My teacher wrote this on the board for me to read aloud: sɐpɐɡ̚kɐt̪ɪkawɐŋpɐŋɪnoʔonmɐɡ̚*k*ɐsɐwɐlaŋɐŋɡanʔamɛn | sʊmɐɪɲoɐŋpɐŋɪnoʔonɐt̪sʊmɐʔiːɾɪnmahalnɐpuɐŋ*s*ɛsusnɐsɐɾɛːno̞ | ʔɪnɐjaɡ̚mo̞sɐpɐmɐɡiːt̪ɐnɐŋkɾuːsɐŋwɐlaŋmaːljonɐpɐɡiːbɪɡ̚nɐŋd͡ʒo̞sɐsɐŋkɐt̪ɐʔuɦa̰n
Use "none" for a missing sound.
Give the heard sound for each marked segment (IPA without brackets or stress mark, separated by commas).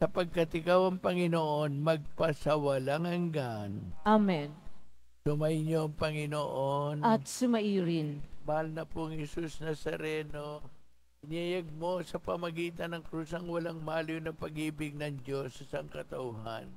p, h